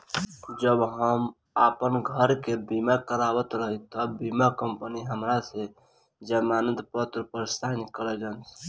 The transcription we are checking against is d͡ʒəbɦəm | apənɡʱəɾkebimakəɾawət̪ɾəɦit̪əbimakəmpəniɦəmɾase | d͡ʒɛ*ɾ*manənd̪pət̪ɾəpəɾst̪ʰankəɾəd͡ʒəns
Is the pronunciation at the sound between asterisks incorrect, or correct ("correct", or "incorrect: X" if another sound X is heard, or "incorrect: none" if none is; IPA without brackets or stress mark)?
incorrect: none